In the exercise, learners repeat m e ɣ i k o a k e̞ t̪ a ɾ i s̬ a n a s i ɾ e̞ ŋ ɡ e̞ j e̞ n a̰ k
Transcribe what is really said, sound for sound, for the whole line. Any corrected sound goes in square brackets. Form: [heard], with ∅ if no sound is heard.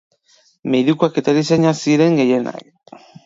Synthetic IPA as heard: m e [ð] i k [u] a k e̞ t̪ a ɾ i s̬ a [ɲ] a s i ɾ e̞ ŋ ɡ e̞ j e̞ n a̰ k